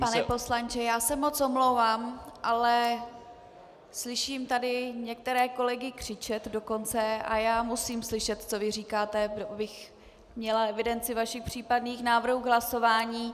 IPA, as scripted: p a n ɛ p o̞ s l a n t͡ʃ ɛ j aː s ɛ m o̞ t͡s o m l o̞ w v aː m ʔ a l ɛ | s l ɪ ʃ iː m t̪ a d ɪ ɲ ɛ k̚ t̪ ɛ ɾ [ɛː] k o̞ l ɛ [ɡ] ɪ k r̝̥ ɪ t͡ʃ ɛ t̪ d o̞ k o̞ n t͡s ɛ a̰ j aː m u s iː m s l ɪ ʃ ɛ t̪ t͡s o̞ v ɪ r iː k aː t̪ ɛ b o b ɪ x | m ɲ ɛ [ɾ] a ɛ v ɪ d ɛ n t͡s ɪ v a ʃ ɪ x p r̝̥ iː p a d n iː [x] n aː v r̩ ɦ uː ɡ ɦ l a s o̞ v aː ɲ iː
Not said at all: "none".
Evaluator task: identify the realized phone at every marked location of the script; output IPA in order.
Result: ɛː, ɡ, l, x

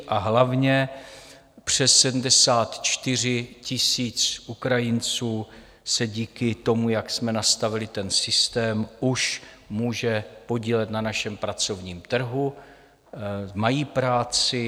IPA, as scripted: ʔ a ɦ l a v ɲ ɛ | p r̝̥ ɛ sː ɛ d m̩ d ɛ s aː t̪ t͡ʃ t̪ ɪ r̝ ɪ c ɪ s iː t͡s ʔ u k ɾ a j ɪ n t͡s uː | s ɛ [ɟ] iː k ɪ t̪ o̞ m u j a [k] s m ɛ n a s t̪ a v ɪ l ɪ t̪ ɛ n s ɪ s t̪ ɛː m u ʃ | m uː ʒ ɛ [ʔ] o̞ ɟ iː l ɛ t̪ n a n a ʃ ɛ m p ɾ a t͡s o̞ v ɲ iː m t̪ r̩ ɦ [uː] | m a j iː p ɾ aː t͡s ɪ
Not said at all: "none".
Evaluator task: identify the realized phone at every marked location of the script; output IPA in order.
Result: ɟ, k, p, u

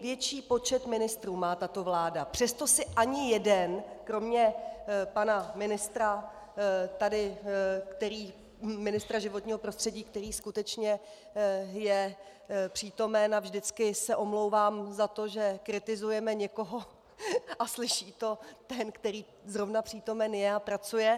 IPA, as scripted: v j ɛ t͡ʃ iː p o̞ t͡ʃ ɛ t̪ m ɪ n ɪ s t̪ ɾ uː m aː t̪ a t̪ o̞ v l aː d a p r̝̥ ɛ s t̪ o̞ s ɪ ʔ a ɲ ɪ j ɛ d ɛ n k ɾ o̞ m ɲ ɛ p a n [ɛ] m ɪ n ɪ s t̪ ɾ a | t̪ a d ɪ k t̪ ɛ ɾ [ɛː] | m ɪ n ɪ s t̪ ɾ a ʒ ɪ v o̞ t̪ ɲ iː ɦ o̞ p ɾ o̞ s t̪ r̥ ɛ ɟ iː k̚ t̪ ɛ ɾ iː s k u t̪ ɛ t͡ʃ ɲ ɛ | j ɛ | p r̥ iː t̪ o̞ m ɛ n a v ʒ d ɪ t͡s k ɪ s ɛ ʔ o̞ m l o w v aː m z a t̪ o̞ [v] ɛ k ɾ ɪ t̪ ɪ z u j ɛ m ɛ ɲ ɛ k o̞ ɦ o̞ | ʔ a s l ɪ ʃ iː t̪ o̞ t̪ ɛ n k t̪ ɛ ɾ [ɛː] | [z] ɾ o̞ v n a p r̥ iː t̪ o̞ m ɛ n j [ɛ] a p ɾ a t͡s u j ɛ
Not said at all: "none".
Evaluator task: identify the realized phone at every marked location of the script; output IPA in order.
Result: a, iː, ʒ, iː, z, ɛ

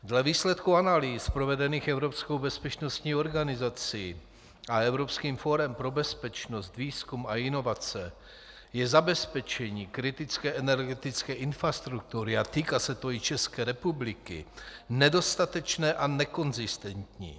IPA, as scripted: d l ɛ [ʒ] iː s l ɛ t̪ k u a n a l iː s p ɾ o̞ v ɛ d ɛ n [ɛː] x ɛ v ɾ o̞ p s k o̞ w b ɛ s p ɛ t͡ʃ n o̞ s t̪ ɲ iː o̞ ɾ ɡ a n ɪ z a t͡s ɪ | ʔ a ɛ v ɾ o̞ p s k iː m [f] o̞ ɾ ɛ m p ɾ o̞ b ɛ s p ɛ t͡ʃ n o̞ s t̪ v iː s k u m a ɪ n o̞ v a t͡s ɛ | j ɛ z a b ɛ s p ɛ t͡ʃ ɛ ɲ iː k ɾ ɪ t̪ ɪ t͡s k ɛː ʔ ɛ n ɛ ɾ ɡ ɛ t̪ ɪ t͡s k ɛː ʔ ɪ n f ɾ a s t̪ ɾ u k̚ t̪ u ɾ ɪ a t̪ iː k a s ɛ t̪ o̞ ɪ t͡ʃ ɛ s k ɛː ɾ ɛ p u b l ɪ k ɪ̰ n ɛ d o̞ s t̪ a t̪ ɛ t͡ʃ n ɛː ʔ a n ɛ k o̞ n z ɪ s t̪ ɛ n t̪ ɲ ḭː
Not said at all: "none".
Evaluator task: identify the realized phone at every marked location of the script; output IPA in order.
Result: v, iː, f

